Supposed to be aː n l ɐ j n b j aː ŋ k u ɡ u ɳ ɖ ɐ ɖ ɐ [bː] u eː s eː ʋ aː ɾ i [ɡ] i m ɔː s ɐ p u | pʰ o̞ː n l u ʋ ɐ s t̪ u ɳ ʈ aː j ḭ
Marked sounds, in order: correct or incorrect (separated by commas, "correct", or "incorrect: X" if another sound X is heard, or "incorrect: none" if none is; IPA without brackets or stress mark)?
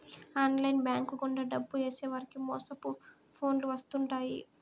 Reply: correct, incorrect: k